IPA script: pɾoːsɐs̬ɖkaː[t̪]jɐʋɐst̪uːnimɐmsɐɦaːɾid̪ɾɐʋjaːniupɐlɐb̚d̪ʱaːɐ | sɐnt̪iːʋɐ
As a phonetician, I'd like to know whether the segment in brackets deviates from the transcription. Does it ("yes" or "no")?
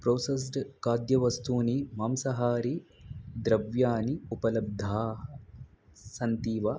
yes